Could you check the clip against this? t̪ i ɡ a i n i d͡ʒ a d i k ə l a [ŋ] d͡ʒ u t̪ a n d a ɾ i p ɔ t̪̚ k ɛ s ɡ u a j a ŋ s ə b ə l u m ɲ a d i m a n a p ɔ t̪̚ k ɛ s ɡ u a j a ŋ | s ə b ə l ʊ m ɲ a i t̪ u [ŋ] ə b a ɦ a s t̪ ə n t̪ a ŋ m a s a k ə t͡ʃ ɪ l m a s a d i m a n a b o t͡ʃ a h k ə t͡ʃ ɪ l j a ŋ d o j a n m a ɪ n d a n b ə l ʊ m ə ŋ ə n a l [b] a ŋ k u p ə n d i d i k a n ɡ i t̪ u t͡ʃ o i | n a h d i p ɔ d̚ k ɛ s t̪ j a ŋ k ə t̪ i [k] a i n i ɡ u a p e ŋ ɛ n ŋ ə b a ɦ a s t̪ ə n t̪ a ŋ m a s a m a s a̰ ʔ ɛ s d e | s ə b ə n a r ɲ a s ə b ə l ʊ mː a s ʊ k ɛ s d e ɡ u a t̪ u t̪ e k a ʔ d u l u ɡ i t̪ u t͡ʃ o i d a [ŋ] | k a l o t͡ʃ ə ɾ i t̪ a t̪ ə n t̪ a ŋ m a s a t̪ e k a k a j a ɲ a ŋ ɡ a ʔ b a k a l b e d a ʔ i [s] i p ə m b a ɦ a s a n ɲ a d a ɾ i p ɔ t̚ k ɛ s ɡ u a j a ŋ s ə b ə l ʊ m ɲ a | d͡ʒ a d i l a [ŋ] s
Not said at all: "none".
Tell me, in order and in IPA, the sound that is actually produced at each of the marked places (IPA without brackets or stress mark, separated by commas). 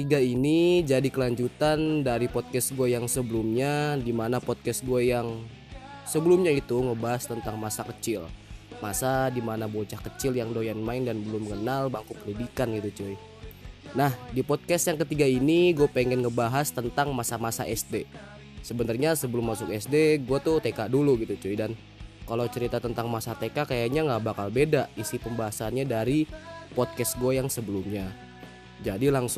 ɲ, ŋ, b, ɡ, n, s, ŋ